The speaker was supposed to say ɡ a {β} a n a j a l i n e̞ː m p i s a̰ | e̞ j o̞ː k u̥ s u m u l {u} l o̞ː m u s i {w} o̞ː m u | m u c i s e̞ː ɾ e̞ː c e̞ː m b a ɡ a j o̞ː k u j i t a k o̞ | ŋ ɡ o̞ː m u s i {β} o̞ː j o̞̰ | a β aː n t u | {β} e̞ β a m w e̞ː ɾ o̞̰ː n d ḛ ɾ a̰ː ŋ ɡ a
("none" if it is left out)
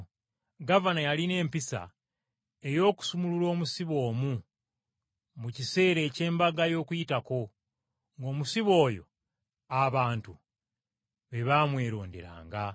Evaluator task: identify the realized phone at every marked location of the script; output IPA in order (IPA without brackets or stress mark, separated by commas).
v, u, β, β, β